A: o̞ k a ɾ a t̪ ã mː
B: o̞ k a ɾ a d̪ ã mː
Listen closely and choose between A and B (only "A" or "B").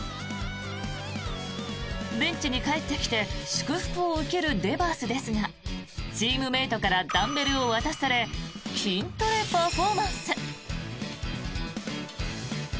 B